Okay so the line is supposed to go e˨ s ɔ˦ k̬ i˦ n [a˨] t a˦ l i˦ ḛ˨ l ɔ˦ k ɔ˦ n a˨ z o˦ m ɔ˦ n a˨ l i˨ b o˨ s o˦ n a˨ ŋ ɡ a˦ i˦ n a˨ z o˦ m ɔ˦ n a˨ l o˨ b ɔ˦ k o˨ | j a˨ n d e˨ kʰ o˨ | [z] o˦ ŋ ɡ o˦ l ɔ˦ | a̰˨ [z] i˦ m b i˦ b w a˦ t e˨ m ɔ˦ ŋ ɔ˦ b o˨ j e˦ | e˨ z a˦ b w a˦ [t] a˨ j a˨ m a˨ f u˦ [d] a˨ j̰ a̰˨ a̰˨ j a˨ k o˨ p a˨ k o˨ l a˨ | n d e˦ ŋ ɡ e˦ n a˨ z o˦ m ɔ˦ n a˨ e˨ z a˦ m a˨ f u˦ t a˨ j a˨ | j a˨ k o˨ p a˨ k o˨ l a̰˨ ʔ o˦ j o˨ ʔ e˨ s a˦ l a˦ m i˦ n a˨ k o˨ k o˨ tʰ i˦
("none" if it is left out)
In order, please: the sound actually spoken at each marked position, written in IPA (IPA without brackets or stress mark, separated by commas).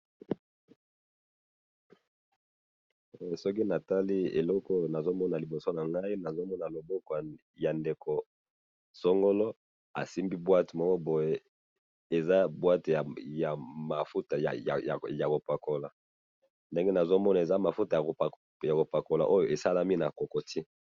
a˨, s, s, t, t